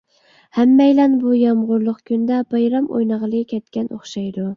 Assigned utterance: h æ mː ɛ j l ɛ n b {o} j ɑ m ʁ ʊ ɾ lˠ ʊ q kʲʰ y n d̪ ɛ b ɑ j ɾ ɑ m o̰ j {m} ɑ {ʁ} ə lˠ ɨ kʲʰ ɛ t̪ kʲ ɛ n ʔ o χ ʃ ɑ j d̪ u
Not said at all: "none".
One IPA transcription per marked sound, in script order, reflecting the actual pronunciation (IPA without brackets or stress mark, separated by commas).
u, n, ʁ